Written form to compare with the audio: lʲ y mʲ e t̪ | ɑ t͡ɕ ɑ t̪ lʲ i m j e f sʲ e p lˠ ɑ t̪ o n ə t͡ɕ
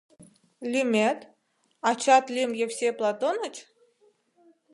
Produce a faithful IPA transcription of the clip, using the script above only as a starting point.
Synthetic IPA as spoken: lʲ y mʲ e t̪ | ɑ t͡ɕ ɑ t̪ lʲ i m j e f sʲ e p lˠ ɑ t̪ o n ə t͡ɕ